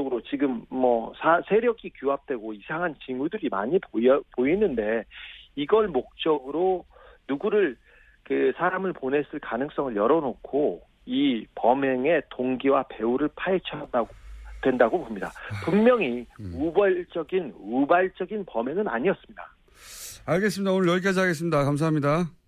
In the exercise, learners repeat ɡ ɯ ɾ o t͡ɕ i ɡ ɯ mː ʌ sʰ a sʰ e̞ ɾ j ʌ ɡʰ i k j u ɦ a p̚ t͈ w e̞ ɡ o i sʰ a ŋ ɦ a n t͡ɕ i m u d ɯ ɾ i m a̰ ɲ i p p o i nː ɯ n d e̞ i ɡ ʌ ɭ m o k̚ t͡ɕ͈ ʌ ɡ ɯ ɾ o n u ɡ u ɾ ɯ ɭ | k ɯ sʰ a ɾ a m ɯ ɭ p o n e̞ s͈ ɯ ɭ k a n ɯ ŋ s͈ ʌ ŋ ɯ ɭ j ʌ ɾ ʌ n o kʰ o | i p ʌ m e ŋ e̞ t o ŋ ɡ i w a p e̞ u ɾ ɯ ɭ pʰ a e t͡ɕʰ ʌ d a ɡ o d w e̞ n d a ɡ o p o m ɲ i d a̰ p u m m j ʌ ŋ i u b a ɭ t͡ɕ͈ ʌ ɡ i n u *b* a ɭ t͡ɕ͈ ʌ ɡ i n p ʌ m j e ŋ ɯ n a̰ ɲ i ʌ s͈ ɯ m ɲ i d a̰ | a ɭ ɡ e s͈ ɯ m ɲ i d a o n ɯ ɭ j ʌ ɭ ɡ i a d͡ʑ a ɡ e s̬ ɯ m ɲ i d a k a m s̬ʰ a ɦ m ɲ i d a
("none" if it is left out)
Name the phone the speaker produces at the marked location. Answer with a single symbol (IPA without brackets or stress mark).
b